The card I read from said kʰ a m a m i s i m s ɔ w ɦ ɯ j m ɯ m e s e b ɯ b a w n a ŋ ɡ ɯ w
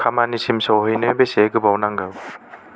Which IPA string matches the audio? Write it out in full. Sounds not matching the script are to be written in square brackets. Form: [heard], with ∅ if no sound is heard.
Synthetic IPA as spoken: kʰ a m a [n] i s i m s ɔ w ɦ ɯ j [n] ɯ [b] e s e [ɡ] ɯ b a w n a ŋ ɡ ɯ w